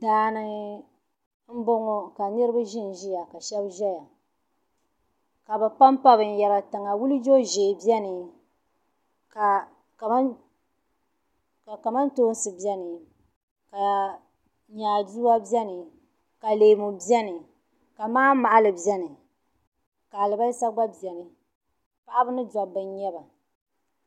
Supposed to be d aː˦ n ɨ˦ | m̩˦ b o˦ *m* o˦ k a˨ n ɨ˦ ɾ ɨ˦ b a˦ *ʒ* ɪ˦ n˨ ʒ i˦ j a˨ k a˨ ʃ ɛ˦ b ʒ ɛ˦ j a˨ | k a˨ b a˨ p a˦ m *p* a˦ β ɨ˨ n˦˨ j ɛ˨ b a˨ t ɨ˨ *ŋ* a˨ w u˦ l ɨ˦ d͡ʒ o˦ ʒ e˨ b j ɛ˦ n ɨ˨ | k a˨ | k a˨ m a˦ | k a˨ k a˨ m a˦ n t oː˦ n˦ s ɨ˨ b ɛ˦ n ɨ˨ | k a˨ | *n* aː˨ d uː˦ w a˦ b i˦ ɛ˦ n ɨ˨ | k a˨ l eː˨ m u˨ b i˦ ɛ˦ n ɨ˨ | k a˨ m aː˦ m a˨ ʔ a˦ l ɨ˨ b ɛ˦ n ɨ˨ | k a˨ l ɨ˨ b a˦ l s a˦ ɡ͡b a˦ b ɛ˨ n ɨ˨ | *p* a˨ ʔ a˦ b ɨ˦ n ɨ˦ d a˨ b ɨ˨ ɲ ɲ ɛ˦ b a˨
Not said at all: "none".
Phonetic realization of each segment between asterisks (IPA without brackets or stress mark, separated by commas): ŋ, ʒ, p, ŋ, ɲ, p